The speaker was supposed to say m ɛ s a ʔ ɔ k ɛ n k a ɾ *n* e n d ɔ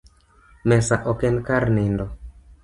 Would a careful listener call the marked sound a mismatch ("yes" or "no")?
no